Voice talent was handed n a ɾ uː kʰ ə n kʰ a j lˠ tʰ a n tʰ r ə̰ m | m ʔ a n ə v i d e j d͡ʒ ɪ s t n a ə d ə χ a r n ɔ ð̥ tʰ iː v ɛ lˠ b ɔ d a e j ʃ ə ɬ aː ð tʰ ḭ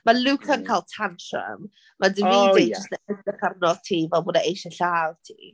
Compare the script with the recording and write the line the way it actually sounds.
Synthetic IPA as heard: m a l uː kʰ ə n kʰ a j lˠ tʰ a n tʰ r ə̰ m | m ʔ a d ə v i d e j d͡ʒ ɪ s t n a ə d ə χ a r n ɔ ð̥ tʰ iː v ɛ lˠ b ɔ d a e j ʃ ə ɬ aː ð tʰ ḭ